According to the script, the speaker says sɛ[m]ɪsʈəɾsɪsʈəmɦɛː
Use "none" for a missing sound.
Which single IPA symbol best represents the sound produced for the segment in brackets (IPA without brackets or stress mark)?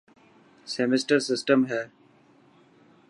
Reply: m